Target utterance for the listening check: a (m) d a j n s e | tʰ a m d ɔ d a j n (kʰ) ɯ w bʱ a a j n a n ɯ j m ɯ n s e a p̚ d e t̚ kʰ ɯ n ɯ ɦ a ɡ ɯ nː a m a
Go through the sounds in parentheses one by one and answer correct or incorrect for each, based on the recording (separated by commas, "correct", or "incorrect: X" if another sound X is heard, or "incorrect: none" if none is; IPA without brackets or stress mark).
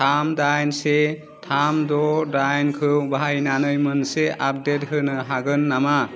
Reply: correct, correct